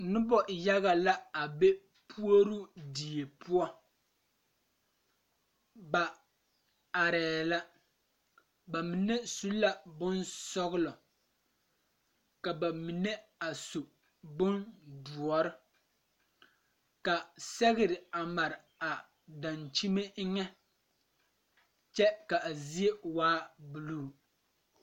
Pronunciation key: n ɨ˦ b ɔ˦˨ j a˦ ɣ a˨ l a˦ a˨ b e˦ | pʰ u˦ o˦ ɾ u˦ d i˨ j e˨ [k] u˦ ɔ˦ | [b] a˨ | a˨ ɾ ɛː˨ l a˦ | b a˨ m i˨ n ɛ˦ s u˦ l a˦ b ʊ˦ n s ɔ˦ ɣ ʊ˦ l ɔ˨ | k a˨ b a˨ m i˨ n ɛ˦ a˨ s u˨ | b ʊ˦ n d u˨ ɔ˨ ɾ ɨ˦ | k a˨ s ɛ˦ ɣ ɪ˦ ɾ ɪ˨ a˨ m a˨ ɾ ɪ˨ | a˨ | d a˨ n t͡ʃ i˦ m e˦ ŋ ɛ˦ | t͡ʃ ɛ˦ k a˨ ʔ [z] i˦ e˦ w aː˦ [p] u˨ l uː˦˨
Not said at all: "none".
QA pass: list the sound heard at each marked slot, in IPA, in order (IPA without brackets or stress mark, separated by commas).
p, b, z, b